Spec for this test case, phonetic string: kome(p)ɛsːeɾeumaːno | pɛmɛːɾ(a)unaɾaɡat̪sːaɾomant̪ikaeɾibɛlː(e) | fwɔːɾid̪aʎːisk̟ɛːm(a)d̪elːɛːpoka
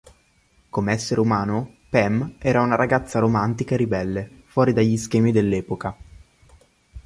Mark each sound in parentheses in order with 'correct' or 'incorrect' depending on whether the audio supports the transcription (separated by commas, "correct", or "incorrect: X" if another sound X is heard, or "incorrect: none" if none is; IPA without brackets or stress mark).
incorrect: none, correct, correct, incorrect: i